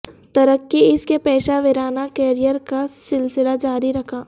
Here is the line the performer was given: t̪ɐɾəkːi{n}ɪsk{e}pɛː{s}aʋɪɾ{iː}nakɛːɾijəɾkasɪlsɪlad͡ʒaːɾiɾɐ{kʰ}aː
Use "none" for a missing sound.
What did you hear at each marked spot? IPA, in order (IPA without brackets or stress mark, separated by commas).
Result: none, e, ʃ, aː, kʰ